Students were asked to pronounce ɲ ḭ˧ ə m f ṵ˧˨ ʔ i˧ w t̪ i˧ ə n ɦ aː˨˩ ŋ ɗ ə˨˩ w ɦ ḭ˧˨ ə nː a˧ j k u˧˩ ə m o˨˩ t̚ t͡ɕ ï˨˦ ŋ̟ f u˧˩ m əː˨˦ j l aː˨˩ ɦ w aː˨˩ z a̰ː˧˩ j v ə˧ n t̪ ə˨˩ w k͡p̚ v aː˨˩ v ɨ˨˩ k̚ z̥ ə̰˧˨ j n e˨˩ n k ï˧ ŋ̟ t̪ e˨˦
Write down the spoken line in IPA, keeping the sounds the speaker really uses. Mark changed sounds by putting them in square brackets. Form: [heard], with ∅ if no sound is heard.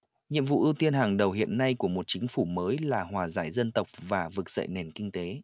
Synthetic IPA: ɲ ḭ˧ ə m [v] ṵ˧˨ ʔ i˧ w t̪ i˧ ə n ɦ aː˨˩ ŋ ɗ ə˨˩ w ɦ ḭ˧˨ ə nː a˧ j k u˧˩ ə m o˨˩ t̚ t͡ɕ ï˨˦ ŋ̟ f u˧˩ m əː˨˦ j l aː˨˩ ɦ w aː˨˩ z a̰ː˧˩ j [z] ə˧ n t̪ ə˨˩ w k͡p̚ v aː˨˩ v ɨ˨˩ k̚ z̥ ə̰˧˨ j n e˨˩ n k ï˧ ŋ̟ t̪ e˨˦

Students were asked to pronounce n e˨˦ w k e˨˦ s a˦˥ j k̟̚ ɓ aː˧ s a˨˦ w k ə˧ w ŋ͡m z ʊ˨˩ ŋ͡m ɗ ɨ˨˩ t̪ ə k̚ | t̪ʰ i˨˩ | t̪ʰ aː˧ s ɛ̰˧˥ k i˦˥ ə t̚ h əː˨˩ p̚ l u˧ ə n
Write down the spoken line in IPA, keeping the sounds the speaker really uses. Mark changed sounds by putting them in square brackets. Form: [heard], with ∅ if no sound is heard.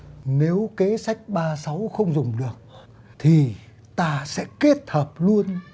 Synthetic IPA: n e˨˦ w k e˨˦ s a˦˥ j k̟̚ ɓ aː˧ s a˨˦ w [x] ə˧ w ŋ͡m z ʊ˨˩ ŋ͡m ɗ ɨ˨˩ [∅] ə k̚ | t̪ʰ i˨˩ | [t̪] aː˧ s ɛ̰˧˥ k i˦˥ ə t̚ h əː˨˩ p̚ l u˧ ə n

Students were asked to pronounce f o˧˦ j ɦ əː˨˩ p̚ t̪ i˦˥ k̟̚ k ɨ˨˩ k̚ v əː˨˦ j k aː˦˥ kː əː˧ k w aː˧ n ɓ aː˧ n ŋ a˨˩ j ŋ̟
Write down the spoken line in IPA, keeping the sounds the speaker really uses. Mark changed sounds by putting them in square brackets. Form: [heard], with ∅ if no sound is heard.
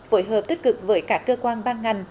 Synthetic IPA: f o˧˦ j ɦ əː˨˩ p̚ t̪ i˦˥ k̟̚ k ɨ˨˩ k̚ v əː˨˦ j k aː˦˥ kː əː˧ k w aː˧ n ɓ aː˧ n ŋ a˨˩ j ŋ̟

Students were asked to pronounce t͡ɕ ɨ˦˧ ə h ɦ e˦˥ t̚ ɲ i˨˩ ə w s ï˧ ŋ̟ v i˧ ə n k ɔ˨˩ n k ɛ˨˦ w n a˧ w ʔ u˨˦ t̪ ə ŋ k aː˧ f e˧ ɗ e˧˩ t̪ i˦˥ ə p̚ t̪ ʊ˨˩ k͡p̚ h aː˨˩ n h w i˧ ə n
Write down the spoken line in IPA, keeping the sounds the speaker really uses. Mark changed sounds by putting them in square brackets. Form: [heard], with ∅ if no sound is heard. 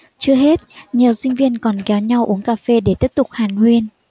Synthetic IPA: t͡ɕ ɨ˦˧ ə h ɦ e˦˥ t̚ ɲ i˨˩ ə w s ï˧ ŋ̟ v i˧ ə n k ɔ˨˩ n k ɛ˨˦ w [ɲ] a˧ w ʔ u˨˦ [∅] ə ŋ k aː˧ f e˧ ɗ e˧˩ t̪ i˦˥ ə p̚ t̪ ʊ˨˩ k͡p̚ h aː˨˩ n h w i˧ ə n

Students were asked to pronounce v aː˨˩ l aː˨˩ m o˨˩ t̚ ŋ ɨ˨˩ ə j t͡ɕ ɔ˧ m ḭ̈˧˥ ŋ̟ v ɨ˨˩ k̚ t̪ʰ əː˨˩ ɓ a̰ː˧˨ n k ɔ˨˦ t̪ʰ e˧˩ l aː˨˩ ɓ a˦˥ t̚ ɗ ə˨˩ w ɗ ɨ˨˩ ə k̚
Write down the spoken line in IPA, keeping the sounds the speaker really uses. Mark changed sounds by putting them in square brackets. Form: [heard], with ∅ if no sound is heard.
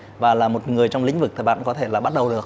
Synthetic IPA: v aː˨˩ l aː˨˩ m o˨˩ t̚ ŋ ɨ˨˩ ə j t͡ɕ ɔ˧ [ŋ͡m] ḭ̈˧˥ ŋ̟ v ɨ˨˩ k̚ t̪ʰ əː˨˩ ɓ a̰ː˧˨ n k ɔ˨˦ t̪ʰ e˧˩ l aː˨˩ ɓ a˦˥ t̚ ɗ ə˨˩ w ɗ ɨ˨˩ ə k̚

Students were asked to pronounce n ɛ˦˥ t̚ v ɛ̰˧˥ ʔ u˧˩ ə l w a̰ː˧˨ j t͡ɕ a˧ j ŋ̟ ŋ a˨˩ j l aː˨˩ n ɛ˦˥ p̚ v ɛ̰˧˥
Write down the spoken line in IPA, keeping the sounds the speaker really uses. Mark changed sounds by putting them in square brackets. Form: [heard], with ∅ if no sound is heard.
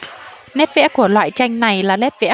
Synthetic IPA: n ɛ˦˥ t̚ v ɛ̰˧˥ [k] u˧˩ ə l w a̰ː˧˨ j t͡ɕ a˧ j ŋ̟ [n] a˨˩ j l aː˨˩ n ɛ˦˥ [t̚] v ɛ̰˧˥

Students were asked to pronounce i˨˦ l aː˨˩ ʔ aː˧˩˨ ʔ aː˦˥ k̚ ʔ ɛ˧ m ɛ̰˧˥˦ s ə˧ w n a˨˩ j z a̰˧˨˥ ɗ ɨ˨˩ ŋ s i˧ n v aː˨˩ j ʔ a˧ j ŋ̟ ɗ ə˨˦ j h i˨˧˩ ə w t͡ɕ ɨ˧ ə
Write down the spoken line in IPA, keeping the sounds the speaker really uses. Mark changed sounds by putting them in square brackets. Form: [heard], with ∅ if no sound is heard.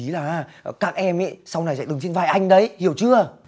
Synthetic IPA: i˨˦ l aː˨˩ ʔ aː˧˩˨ [k] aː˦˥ k̚ ʔ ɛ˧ m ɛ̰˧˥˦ s [a˧] w n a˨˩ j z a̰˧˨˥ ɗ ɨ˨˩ ŋ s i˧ n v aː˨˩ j ʔ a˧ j ŋ̟ ɗ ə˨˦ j h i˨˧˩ ə w t͡ɕ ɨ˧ ə

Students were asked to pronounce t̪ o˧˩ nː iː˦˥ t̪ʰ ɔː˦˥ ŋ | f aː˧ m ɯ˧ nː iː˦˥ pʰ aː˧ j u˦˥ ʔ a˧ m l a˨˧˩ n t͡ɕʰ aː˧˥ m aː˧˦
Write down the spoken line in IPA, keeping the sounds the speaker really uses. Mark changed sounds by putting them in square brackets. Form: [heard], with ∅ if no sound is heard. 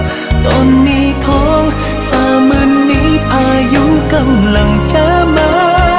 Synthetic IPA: t̪ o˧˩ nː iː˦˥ t̪ʰ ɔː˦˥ ŋ | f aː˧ m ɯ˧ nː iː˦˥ pʰ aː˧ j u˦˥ [k] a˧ m l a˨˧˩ [ŋ] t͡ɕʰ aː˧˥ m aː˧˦

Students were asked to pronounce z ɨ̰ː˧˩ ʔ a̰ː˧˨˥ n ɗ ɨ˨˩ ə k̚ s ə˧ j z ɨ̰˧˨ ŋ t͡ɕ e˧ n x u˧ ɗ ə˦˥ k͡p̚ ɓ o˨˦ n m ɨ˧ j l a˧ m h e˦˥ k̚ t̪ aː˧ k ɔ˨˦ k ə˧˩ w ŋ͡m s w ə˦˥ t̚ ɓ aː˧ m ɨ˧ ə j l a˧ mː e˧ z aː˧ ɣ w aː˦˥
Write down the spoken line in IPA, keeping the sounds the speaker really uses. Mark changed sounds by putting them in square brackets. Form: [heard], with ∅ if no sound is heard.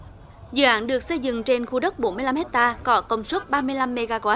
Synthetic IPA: z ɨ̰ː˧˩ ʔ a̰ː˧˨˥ n ɗ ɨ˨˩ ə k̚ s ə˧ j z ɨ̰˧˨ ŋ t͡ɕ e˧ n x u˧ ɗ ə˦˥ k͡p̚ ɓ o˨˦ n m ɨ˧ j l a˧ m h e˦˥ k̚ t̪ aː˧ k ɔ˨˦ k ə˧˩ w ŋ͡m s w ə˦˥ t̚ ɓ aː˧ m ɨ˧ ə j l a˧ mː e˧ [ɣ] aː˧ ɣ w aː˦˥

